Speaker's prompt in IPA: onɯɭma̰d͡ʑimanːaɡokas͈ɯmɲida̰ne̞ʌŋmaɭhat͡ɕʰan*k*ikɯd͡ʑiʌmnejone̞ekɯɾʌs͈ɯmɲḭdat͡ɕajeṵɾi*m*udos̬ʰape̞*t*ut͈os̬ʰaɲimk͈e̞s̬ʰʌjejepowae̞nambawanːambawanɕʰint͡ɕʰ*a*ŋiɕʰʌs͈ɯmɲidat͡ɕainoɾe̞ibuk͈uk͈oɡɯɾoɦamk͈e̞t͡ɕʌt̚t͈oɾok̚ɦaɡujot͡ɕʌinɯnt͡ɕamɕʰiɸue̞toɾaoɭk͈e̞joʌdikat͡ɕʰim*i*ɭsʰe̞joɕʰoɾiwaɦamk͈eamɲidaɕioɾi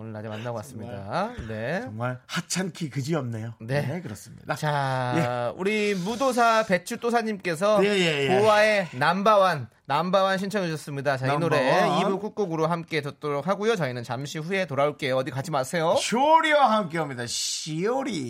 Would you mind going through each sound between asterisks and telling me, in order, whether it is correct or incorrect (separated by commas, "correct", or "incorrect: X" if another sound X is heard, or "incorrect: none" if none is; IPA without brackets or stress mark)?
incorrect: kʰ, correct, incorrect: t͡ɕʰ, incorrect: ʌ, incorrect: a